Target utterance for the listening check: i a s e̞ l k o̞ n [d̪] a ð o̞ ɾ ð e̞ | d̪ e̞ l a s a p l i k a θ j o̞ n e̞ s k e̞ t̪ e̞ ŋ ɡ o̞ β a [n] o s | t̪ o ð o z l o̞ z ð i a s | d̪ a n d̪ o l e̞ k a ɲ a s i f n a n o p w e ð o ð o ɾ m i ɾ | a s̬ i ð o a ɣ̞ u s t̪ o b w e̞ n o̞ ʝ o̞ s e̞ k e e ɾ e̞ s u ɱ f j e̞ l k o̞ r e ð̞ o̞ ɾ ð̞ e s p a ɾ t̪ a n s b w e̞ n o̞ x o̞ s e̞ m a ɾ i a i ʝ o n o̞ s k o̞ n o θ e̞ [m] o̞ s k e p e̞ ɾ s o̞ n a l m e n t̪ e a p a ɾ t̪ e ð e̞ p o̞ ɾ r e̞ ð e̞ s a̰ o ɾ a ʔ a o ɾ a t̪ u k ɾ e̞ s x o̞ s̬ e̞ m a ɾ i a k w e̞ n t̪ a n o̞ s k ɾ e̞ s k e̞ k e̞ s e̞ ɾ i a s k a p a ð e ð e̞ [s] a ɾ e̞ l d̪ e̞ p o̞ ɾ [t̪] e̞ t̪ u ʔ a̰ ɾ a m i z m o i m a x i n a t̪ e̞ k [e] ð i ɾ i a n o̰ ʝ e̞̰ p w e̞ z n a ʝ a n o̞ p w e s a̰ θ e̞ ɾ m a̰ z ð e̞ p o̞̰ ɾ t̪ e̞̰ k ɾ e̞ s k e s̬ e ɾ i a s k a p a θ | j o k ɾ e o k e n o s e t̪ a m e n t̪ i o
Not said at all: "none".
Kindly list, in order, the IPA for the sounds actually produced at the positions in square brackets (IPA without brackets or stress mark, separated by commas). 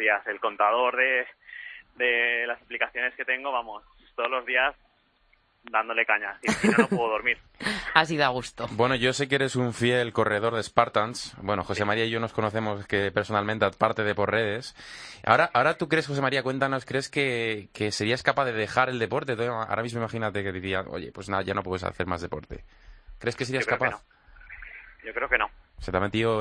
t̪, m, m, x, t̪, e